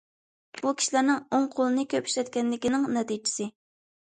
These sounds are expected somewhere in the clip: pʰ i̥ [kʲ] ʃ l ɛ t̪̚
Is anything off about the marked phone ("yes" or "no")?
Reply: yes